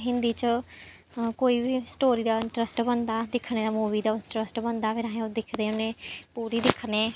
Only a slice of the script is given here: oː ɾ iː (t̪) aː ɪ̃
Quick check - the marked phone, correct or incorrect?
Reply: incorrect